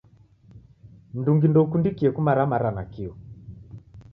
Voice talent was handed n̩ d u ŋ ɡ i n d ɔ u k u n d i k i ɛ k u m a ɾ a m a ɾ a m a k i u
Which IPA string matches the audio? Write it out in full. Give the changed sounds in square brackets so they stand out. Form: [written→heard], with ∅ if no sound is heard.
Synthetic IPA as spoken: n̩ d u ŋ ɡ i n d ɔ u k u n d i k i ɛ k u m a ɾ a m a ɾ a [m→n] a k i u